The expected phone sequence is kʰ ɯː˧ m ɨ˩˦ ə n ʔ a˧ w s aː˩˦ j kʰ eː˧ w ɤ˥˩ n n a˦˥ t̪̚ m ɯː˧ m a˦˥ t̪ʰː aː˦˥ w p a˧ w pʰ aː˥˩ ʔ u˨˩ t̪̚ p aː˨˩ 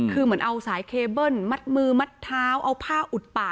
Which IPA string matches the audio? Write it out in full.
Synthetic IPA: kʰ ɯː˧ m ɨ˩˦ ə n ʔ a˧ w s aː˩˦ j kʰ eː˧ b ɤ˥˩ n m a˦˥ t̪̚ m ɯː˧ m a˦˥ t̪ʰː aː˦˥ w ʔ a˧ w pʰ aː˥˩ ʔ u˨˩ t̪̚ p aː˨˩